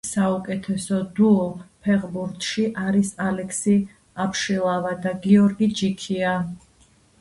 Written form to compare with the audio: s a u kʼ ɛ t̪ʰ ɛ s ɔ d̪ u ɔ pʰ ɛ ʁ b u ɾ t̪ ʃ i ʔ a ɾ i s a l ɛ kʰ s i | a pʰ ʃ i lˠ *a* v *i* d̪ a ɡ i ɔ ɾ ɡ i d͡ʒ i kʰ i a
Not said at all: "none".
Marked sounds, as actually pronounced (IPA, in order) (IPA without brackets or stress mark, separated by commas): a, a